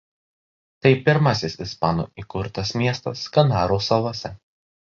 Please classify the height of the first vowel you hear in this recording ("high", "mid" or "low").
low